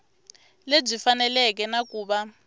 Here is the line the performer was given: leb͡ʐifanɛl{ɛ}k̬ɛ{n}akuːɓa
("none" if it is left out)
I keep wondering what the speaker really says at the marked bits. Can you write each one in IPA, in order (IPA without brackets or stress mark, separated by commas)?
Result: ɛ, n